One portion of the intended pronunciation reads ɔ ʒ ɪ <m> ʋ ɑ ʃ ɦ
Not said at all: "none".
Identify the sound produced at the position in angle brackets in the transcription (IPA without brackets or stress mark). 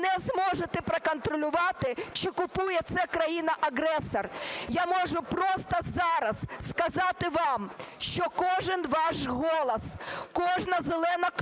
n